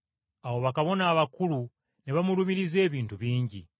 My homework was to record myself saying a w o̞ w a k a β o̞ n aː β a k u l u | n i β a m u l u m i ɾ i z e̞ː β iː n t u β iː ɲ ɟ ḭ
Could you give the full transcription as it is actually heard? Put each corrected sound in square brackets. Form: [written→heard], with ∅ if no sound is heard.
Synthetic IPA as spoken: a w o̞ [w→β] a k a β o̞ n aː β a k u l u | n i β a m u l u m i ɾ i z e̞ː β iː n t u β iː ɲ ɟ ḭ